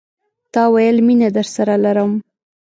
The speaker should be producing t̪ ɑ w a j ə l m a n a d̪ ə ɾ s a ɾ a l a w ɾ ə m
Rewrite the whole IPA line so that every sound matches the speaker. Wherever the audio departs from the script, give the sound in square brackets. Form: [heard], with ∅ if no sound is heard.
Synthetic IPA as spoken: t̪ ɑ w a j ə l m [i] n a d̪ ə ɾ s a ɾ a l a [∅] ɾ ə m